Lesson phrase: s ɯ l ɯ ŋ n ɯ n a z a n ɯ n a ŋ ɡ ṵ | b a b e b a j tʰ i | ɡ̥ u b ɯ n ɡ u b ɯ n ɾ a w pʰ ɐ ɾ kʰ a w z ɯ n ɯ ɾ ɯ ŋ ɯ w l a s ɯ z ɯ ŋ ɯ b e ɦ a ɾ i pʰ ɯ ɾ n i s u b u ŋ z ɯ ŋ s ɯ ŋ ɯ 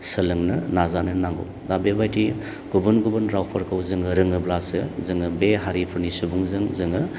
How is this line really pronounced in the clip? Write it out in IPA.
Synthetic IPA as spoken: s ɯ l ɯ ŋ n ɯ n a z a n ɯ n a ŋ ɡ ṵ | d a b e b a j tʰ i | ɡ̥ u b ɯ n ɡ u b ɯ n ɾ a w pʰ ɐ ɾ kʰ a w z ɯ ŋ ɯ ɾ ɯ ŋ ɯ b l a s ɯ z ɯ ŋ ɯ b e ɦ a ɾ i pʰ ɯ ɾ n i s u b u ŋ z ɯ ŋ z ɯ ŋ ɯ